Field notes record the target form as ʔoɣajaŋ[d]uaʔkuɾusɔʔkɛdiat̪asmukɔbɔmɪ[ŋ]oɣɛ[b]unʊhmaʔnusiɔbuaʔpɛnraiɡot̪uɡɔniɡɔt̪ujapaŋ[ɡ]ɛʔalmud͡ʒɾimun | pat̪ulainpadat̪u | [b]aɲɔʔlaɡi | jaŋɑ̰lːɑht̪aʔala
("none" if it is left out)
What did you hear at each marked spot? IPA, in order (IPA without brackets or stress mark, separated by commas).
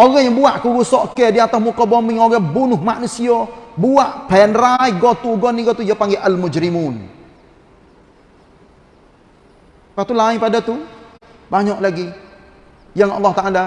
b, ŋ, b, ɡ, b